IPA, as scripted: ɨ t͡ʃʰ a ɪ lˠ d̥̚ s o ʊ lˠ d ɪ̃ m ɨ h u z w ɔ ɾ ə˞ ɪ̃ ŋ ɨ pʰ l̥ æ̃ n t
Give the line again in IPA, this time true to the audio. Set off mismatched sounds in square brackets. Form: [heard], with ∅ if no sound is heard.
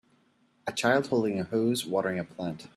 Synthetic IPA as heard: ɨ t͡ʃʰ a ɪ lˠ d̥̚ [h] o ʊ lˠ d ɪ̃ [ŋ] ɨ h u z w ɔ ɾ ə˞ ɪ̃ ŋ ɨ pʰ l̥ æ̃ n t